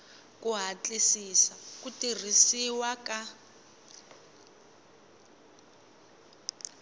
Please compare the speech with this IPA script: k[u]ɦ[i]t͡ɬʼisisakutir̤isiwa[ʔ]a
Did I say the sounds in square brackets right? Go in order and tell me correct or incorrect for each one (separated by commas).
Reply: correct, incorrect, incorrect